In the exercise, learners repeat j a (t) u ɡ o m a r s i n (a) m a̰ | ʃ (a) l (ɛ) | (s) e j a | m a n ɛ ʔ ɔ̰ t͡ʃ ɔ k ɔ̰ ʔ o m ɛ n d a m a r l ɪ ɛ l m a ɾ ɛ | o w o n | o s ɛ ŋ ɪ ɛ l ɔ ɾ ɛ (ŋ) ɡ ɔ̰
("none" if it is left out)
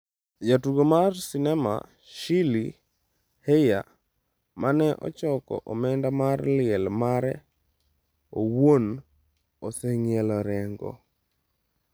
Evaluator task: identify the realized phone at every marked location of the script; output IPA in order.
t, ɛ, i, i, h, ŋ

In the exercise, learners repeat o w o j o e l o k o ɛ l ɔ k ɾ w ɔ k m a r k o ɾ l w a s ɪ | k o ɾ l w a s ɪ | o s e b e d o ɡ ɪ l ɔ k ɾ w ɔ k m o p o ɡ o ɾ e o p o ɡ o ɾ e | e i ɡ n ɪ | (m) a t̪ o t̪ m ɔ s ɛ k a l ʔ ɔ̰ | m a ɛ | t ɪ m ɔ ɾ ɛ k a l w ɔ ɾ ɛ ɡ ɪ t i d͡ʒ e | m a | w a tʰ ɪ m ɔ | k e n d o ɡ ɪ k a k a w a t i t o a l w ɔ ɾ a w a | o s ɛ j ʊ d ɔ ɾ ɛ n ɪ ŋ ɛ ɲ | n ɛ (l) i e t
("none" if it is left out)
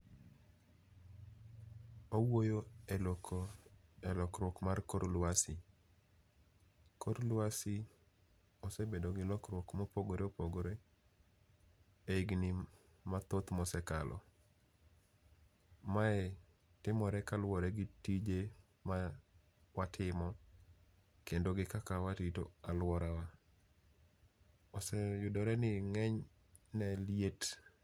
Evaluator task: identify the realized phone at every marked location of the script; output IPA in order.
m, l

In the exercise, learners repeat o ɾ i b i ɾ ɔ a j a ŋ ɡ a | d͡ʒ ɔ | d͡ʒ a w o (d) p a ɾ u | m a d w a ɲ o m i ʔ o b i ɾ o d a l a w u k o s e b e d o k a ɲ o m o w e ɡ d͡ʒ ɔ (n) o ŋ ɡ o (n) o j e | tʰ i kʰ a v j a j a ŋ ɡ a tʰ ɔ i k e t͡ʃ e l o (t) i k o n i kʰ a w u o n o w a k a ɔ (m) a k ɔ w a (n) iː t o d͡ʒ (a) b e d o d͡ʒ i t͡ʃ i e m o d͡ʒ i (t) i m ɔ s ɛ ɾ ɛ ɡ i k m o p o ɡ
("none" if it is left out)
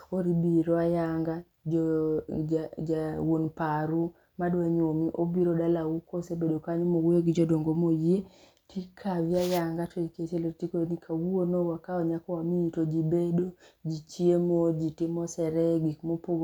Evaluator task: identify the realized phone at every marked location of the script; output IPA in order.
n, d, m, t, ɲ, m, i, t

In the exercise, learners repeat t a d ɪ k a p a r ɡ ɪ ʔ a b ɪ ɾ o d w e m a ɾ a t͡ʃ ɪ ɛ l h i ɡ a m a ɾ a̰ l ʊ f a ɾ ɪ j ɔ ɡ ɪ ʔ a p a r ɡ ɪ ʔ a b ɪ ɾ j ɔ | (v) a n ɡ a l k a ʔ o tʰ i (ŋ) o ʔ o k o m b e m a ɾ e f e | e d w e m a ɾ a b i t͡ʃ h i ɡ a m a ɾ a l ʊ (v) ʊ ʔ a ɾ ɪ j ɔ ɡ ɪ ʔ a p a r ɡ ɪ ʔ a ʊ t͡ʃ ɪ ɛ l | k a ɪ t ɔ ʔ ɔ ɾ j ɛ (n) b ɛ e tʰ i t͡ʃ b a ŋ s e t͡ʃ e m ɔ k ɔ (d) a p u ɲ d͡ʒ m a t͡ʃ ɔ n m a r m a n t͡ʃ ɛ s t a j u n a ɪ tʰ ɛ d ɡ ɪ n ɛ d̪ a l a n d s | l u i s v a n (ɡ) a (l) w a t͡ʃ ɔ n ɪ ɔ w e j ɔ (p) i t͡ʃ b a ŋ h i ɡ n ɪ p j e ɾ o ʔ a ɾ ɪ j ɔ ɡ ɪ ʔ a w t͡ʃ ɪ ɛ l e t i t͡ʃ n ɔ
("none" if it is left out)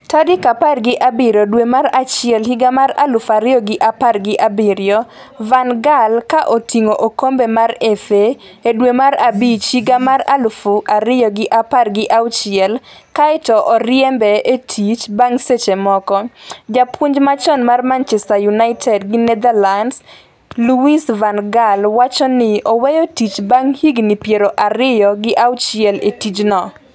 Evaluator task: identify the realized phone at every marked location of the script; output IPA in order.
v, ŋ, f, m, d͡ʒ, ɡ, l, t

